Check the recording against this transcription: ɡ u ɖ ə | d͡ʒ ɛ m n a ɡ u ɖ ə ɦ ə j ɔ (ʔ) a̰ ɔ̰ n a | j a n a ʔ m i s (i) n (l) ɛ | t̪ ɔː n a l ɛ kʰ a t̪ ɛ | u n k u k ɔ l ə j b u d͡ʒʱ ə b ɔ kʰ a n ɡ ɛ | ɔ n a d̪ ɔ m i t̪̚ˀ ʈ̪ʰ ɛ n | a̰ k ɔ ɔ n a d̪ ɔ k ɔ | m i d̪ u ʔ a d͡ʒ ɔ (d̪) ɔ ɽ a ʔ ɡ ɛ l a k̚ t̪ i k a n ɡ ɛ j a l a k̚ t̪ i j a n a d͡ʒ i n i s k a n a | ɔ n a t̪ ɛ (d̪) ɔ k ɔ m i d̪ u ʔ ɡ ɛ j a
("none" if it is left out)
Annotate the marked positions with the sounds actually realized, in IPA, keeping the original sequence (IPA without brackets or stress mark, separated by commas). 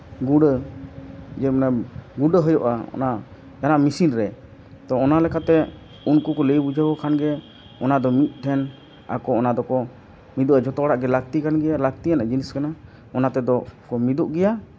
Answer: ʔ, i, ɾ, t̪, d̪